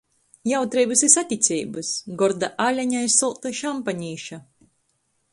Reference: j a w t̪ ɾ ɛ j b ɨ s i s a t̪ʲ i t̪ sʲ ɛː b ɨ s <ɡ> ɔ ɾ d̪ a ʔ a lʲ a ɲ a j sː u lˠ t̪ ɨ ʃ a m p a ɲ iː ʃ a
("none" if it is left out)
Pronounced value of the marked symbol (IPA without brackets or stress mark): ɡ